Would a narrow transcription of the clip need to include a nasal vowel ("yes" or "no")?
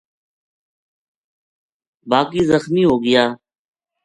no